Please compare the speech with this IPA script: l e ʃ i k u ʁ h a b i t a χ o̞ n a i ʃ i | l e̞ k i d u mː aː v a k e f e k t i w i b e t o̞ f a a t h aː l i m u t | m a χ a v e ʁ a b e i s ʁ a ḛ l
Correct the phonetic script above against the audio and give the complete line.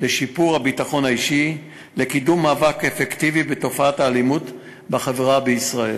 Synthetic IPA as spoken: l e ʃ i p u ʁ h a b i t a χ o̞ n a i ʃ i | l e̞ k i d u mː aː v a k e f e k t i v i b e t o̞ f a a t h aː l i m u t | b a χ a v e ʁ a b e i s ʁ a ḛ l